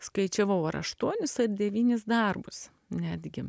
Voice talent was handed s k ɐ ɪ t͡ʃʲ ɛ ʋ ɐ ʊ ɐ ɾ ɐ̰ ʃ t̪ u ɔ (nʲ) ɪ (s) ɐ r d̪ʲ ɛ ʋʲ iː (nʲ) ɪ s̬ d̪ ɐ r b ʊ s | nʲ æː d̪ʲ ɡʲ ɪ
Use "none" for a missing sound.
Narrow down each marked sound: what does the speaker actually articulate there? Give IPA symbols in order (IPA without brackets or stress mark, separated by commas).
nʲ, s, nʲ